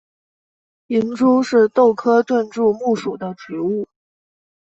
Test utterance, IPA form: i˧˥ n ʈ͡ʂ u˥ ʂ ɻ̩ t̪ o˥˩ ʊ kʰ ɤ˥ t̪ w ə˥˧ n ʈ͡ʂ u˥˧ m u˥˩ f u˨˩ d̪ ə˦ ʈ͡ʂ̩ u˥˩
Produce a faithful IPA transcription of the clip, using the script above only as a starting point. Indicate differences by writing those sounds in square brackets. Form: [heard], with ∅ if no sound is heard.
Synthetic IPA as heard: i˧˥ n ʈ͡ʂ u˥ ʂ ɻ̩ t̪ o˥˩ ʊ kʰ ɤ˥ t̪ w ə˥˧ n ʈ͡ʂ u˥˧ m u˥˩ [ʂ] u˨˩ d̪ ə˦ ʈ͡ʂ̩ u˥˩